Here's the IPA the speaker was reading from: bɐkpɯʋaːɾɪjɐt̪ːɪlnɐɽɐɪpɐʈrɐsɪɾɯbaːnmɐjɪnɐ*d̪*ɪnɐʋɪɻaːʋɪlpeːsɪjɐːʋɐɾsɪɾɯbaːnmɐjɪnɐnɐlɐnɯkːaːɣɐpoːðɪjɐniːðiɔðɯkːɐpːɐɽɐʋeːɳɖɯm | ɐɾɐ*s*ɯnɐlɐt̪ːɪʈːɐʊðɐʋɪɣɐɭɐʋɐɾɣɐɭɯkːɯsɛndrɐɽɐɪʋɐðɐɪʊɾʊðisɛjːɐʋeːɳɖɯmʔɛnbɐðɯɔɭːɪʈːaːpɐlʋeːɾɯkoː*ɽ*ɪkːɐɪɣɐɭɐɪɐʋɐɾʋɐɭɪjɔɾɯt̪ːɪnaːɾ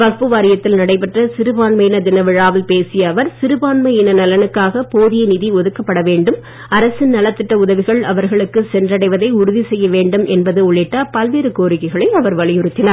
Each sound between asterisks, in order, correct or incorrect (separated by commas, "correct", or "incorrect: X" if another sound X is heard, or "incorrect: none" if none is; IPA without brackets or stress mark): correct, correct, incorrect: ɾ